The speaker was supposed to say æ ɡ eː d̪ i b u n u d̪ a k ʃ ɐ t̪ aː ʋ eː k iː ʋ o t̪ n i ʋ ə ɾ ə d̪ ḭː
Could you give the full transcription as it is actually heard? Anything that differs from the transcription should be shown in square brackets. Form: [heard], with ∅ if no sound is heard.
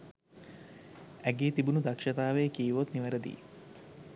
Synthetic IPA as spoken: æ ɡ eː [t̪] i b u n u d̪ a k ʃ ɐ t̪ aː ʋ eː k iː ʋ o t̪ n i ʋ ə ɾ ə d̪ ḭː